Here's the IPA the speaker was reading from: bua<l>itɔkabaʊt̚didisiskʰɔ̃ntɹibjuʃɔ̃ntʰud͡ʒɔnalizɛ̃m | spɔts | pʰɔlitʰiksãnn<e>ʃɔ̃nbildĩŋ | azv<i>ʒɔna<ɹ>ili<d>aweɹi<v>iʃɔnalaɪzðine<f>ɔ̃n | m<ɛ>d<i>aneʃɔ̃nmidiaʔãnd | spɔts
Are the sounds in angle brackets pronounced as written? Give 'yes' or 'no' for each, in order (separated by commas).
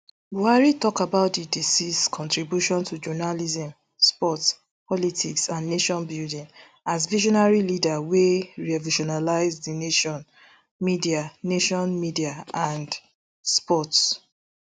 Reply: no, yes, yes, yes, yes, yes, no, no, yes